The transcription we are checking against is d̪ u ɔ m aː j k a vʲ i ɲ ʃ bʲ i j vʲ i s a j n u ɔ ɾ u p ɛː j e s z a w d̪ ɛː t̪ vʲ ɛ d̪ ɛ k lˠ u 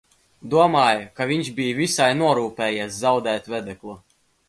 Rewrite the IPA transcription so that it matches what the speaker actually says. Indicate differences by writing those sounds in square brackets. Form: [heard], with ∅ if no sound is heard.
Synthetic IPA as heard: d̪ u ɔ m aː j k a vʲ i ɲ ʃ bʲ i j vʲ i s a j n u ɔ ɾ [uː] p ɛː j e s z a w d̪ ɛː t̪ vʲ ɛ d̪ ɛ k lˠ u